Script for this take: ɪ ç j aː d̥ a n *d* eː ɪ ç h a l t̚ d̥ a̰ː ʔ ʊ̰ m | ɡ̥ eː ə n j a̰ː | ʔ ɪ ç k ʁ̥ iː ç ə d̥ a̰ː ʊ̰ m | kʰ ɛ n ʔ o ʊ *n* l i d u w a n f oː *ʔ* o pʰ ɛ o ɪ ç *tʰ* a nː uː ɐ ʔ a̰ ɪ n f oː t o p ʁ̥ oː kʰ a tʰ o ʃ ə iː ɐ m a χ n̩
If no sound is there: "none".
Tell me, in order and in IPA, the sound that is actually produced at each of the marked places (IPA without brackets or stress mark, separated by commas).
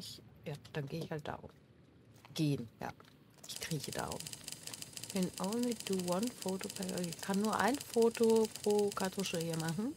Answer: ɡ, n, t, kʰ